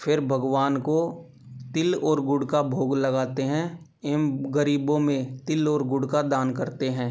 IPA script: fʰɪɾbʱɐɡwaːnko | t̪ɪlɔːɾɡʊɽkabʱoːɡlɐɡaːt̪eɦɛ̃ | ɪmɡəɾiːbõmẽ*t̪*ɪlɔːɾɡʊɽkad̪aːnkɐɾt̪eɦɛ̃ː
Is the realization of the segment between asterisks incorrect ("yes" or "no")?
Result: no